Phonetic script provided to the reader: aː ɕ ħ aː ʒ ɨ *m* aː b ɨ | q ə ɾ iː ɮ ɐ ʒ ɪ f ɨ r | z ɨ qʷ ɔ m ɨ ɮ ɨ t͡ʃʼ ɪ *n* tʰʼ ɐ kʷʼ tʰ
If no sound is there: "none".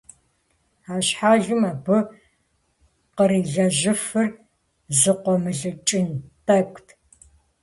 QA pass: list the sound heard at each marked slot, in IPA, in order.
m, n

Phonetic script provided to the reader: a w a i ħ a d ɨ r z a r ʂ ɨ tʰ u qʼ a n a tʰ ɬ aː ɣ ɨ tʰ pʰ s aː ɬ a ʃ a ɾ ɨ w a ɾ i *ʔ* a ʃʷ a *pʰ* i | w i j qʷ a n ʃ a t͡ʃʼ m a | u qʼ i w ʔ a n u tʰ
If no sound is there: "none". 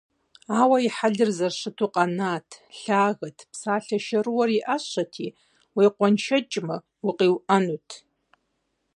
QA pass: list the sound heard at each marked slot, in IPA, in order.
ʔ, tʰ

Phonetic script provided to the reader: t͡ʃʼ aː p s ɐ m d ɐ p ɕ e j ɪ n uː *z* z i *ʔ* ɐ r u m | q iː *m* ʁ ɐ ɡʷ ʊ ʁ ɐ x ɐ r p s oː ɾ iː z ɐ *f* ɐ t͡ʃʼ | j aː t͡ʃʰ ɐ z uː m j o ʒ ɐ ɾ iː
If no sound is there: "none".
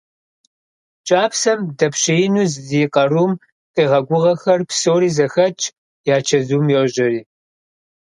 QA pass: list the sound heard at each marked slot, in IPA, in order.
z, q, none, x

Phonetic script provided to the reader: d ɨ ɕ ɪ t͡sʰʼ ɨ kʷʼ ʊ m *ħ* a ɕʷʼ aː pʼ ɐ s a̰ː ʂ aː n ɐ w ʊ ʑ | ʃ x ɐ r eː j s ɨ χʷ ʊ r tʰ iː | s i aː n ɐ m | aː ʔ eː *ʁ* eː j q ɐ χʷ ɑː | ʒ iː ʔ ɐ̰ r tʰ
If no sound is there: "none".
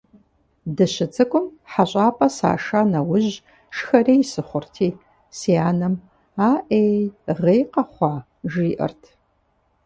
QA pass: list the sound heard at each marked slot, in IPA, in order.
ħ, ʁ

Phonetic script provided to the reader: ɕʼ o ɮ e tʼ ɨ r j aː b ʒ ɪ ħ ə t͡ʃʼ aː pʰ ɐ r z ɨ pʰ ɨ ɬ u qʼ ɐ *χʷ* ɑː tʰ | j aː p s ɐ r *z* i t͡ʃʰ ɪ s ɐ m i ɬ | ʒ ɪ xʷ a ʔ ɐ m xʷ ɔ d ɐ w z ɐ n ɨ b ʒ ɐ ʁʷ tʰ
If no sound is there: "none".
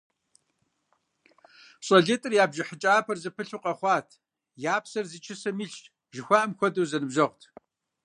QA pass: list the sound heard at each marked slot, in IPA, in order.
χʷ, z

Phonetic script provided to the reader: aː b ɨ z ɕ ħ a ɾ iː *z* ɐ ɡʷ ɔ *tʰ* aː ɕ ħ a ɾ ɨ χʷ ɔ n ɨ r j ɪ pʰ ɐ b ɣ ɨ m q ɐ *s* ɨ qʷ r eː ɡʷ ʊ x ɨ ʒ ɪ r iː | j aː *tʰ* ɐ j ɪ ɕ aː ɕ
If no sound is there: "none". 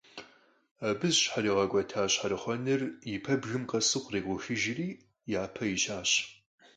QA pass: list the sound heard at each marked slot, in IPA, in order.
ʁ, tʰ, s, pʰ

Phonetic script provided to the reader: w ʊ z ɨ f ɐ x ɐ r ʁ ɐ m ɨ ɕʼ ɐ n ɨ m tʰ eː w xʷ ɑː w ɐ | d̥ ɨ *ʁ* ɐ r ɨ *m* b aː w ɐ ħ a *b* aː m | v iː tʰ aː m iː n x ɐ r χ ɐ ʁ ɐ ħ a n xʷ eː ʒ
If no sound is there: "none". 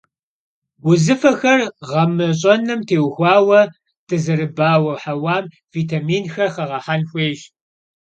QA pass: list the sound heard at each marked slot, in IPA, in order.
z, none, w

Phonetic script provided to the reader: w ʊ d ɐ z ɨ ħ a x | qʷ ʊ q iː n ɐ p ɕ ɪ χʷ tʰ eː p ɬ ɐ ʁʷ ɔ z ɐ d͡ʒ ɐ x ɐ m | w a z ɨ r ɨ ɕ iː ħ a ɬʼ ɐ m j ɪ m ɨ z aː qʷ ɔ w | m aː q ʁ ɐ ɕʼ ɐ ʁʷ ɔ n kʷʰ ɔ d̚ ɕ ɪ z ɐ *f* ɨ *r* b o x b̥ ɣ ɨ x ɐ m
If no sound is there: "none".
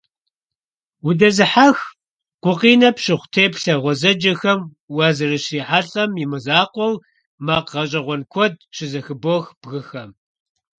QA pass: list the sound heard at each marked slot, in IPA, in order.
x, none

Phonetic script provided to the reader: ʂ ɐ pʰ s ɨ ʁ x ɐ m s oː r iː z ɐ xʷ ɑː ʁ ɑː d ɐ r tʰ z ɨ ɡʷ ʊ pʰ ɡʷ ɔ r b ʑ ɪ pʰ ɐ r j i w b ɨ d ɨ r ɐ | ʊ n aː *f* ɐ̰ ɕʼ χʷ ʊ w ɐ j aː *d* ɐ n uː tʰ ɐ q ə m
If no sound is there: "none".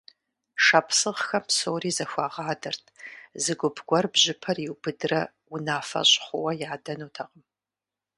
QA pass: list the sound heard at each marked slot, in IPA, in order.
f, d

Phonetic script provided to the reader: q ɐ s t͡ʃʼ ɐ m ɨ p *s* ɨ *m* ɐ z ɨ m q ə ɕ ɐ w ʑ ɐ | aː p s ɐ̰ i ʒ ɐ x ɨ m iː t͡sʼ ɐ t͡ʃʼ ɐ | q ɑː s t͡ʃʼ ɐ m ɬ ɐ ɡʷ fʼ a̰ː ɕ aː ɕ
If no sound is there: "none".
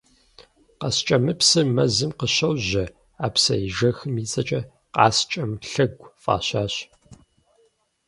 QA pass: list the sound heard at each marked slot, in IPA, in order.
s, m

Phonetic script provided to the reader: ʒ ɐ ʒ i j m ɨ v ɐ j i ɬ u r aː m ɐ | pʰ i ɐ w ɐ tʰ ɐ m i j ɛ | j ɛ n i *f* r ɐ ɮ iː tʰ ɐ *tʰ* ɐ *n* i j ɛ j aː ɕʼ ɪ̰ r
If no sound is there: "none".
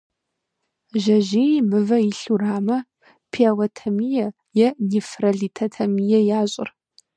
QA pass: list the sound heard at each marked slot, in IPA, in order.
f, tʰ, m

